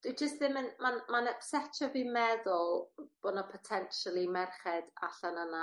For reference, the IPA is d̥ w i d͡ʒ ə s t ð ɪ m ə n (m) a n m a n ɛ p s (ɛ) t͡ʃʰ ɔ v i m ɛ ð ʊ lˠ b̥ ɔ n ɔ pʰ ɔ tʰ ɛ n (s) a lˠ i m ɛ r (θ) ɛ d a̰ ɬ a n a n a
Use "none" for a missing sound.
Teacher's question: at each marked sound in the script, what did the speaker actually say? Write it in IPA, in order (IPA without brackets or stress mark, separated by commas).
m, ɛ, ʃ, χ